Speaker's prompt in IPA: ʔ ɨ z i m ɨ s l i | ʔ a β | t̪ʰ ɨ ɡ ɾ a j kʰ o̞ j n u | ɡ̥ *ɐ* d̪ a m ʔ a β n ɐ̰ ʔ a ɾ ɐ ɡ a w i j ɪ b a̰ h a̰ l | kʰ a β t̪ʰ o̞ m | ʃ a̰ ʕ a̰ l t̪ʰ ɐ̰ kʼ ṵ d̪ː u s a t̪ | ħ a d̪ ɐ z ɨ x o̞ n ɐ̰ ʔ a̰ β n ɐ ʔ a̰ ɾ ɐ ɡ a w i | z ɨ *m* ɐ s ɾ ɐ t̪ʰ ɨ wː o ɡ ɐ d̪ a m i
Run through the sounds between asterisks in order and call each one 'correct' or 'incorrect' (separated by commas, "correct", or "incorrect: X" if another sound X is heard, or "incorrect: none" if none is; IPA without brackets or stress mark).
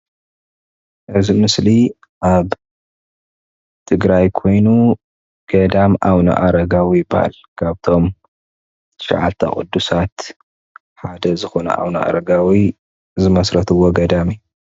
correct, correct